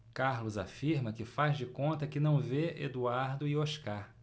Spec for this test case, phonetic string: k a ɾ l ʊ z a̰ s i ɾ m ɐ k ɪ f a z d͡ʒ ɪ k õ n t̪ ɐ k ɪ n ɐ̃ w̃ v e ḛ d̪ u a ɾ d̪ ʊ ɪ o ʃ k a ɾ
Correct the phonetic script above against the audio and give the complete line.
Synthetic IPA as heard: k a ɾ l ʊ z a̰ f i ɾ m ɐ k ɪ f a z d͡ʒ ɪ k õ n t̪ ɐ k ɪ n ɐ̃ w̃ v e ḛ d̪ u a ɾ d̪ ʊ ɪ o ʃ k a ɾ